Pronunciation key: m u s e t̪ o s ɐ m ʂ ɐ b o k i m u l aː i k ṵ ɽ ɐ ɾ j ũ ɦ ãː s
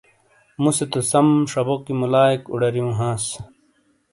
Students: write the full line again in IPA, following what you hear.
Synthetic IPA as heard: m u s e t̪ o s ɐ m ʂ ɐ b o k i m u l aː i k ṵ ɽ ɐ ɾ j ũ ɦ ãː s